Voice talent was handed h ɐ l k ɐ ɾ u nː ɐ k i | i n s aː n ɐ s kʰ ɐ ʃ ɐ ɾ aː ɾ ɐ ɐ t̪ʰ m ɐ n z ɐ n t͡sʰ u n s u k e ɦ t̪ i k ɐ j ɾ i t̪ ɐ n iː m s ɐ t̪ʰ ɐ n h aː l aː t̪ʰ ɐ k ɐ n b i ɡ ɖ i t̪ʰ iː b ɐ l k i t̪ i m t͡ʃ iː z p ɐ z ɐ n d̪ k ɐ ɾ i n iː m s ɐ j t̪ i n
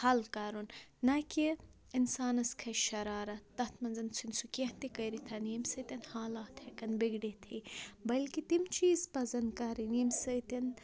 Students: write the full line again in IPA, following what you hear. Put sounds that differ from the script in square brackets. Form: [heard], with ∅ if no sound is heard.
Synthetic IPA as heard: h ɐ l k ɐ ɾ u nː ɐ k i | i n s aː n ɐ s kʰ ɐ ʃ ɐ ɾ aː ɾ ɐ ɐ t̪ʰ m ɐ n z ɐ n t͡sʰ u n s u k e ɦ t̪ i k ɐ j ɾ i [t̪ʰ] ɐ n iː m s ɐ [t̪] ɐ n h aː l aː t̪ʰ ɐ k ɐ n b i ɡ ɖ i t̪ʰ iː b ɐ l k i t̪ i m t͡ʃ iː z p ɐ z ɐ n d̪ k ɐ ɾ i n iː m s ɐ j t̪ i n